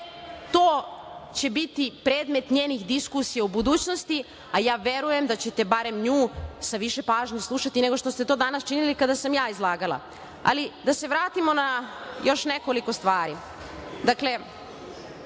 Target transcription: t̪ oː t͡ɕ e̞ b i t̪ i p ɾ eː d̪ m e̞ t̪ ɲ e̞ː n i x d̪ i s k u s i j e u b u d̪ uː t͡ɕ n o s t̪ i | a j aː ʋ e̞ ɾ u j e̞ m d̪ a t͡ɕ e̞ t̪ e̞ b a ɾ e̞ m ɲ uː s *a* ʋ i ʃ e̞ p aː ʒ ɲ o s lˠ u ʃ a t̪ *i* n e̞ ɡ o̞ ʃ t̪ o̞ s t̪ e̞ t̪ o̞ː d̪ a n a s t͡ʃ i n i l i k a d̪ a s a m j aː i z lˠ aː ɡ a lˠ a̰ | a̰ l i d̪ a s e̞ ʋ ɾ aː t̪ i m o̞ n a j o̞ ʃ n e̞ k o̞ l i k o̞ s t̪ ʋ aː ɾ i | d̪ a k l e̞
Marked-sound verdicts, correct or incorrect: correct, correct

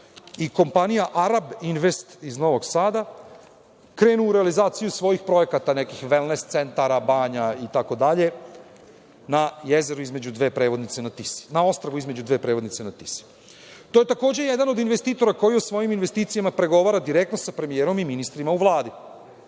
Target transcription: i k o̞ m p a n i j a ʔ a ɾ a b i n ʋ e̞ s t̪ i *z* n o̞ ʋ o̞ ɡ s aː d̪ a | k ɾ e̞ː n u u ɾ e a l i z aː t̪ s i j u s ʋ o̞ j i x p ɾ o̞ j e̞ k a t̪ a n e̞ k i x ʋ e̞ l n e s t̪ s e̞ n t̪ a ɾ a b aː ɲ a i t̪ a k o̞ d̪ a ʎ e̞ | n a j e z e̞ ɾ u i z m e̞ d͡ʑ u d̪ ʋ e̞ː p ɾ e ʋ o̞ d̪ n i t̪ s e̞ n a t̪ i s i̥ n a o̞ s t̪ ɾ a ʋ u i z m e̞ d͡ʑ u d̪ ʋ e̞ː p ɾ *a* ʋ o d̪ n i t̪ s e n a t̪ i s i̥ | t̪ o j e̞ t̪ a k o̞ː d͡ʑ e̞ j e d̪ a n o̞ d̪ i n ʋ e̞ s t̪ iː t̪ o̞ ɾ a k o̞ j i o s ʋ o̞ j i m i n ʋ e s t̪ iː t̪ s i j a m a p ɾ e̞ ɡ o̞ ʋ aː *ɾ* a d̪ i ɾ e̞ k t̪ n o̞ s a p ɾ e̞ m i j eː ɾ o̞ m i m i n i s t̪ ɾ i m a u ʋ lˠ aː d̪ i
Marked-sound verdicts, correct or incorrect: correct, incorrect: e, correct

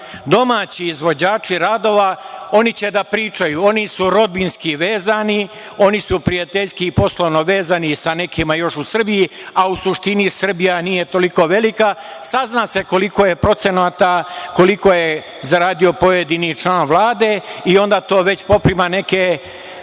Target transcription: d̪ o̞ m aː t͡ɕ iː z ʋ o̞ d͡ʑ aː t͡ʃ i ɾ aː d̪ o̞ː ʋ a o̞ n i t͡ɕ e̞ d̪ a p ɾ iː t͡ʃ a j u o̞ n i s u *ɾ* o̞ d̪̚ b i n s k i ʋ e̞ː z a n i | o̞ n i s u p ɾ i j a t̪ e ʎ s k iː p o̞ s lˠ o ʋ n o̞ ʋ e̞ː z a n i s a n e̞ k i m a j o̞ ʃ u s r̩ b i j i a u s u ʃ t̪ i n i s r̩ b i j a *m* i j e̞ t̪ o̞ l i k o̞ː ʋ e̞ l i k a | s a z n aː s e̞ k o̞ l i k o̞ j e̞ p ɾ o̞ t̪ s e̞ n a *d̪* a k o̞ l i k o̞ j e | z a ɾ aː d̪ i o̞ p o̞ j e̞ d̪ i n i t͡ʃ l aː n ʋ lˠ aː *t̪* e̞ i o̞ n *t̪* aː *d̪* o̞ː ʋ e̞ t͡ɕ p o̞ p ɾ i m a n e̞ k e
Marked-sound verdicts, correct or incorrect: correct, incorrect: n, incorrect: t̪, incorrect: d̪, incorrect: d̪, incorrect: t̪

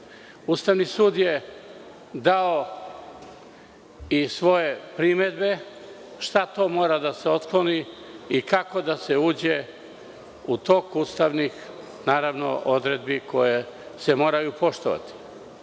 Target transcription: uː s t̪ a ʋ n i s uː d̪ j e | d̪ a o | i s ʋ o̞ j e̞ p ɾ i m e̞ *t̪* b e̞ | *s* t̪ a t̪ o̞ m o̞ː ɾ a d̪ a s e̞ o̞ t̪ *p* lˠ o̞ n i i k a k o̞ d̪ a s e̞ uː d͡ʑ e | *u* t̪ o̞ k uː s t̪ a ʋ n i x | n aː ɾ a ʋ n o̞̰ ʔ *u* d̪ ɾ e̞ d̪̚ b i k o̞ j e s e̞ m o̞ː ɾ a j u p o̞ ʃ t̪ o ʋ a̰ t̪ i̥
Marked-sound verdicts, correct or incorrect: incorrect: d̪, incorrect: ʃ, incorrect: k, correct, incorrect: o

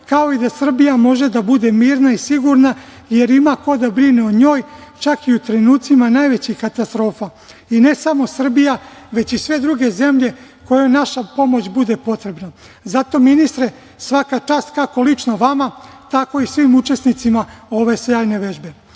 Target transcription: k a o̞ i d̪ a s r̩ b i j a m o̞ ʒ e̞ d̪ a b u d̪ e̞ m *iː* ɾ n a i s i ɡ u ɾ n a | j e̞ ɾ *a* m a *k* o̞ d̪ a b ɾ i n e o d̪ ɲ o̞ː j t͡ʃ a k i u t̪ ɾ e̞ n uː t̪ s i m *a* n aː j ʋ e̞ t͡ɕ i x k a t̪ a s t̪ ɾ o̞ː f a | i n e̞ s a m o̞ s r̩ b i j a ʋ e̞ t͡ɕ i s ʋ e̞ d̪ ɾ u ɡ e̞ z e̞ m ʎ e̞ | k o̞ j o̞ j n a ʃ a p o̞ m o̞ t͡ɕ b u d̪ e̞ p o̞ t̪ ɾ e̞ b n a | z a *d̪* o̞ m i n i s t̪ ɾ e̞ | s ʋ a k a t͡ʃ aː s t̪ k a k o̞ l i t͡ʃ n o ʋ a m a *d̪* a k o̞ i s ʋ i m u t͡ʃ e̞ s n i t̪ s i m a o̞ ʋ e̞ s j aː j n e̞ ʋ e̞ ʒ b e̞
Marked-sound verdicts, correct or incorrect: correct, incorrect: i, correct, correct, incorrect: t̪, incorrect: t̪

